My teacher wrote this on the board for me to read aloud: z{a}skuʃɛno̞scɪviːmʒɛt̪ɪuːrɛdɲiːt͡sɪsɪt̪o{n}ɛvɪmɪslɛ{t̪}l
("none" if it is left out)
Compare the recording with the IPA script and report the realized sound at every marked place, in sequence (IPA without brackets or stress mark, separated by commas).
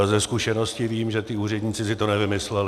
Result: ɛ, n, none